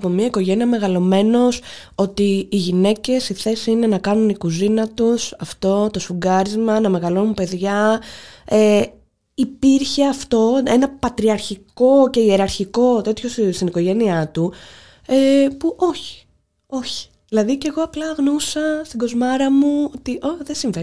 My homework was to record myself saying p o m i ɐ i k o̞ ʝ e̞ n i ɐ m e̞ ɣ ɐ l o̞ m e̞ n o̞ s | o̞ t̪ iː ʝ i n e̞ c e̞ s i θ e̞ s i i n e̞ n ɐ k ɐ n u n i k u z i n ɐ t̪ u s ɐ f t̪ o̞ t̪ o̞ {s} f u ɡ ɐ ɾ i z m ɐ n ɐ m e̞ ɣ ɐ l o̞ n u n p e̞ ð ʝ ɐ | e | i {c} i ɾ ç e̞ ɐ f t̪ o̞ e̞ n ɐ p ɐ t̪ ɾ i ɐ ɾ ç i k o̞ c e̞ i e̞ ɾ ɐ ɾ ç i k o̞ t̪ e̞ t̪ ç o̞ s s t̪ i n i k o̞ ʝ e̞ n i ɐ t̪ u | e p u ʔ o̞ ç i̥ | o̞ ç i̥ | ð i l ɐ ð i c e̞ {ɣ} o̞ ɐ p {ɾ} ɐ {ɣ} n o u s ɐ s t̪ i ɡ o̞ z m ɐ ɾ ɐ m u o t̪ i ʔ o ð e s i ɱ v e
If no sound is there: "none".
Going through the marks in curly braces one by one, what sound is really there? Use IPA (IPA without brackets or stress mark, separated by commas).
s, p, ɣ, l, ɣ